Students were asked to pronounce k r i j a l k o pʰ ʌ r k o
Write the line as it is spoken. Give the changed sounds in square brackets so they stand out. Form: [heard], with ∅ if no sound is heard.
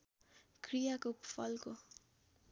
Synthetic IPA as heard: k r i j a [∅] k o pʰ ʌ [l] k o